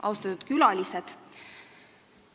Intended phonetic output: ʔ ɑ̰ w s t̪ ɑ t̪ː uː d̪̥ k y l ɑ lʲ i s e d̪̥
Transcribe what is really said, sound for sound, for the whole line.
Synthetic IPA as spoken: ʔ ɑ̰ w s t̪ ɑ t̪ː u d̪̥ k y l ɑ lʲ i s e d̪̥